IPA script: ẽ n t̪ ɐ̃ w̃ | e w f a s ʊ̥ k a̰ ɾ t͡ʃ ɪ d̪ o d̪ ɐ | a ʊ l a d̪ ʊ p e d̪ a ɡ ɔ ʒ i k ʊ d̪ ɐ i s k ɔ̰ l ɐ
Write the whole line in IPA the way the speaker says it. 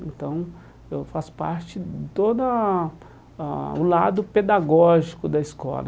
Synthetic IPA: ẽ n t̪ ɐ̃ w̃ | e w f a s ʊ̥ p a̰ ɾ t͡ʃ ɪ t̪ o d̪ ɐ | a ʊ l a d̪ ʊ p e d̪ a ɡ ɔ ʒ i k ʊ d̪ ɐ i s k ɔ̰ l ɐ